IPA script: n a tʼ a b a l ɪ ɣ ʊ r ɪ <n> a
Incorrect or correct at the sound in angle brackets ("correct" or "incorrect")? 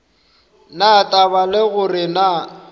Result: correct